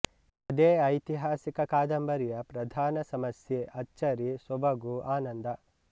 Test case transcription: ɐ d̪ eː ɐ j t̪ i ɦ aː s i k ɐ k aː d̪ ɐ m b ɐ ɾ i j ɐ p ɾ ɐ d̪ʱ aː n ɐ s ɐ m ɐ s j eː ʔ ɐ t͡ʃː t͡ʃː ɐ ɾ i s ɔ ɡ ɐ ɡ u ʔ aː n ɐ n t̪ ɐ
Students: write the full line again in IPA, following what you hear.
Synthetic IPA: ɐ d̪ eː ɐ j t̪ i ɦ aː s i k ɐ k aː d̪ ɐ m b ɐ ɾ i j ɐ p ɾ ɐ d̪ʱ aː n ɐ s ɐ m ɐ s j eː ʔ ɐ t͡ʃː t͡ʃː ɐ ɾ i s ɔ b ɐ ɡ u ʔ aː n ɐ n d̪ ɐ